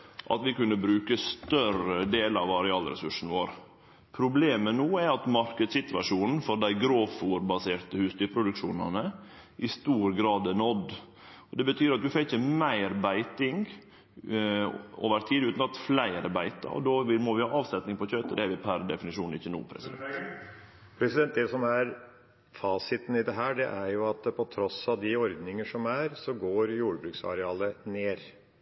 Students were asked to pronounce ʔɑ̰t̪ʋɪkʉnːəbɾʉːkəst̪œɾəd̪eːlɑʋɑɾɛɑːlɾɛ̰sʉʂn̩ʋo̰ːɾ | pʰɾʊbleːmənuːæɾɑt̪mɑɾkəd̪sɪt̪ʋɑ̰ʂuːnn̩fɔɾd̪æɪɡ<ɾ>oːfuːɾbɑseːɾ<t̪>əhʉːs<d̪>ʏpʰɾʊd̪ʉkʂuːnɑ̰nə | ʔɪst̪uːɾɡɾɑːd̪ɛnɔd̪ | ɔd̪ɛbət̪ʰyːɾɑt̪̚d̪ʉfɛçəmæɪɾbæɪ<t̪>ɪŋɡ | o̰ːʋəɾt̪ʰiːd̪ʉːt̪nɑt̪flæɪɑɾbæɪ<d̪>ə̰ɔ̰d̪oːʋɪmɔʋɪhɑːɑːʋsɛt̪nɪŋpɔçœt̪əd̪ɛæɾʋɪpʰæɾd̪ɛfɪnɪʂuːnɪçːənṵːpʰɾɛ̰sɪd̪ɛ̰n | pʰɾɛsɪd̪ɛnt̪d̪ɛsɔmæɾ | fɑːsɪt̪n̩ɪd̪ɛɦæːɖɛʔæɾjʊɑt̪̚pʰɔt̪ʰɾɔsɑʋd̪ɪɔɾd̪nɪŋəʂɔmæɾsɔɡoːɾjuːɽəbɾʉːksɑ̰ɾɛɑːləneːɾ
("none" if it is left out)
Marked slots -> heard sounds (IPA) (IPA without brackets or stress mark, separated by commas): ɾ, t̪, t̪, t̪, t̪